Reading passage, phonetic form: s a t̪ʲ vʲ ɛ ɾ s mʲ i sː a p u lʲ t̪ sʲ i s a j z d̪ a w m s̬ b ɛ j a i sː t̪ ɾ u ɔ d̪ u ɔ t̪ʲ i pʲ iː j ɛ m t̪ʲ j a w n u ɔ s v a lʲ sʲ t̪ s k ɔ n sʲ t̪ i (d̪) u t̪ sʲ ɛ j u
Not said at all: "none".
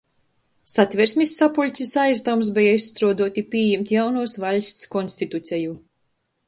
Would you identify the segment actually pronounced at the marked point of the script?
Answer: t̪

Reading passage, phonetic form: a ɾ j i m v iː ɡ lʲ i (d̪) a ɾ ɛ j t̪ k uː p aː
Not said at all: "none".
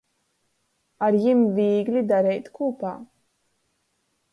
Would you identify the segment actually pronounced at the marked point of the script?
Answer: d̪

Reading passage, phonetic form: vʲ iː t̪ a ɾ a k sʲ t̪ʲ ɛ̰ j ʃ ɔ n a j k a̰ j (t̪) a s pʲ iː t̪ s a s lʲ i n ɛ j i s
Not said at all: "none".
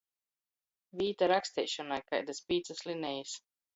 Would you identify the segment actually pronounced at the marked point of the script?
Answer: d̪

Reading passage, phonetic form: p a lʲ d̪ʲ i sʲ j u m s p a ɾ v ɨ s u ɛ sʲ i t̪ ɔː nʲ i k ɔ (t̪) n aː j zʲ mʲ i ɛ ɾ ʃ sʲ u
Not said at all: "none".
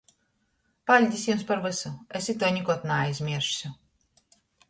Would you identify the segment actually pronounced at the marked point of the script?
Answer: t̪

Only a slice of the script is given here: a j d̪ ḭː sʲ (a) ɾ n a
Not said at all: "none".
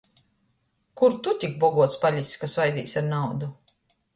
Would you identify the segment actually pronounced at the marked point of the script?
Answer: a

